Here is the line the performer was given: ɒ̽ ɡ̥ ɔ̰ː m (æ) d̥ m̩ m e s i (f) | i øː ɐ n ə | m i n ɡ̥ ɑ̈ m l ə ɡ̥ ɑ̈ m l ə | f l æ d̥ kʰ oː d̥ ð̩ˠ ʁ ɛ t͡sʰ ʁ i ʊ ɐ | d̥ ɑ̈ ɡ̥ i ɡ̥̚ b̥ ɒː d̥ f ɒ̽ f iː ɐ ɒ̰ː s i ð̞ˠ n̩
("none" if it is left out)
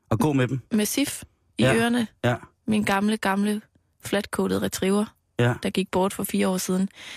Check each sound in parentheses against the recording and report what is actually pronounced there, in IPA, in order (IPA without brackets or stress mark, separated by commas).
e, f